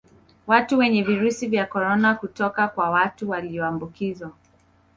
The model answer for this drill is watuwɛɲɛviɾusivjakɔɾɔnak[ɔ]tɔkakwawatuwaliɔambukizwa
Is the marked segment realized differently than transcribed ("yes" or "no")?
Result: yes